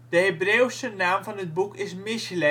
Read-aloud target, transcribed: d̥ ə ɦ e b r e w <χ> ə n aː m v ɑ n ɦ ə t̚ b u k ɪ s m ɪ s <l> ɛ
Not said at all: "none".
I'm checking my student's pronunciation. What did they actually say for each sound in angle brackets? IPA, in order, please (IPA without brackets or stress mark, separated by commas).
s, l